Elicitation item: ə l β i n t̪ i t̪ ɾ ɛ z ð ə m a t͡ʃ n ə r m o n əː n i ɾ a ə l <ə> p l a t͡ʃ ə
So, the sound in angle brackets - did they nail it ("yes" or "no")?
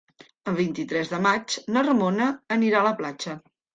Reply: yes